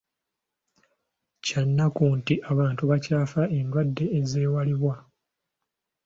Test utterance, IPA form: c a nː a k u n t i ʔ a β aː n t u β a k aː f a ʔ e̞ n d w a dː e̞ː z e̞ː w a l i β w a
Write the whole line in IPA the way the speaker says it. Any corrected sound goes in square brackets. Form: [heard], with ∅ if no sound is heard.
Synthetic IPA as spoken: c a nː a k u n t i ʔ a β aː n t u β a [c] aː f a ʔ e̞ n d w a dː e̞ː z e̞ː w a l i β w a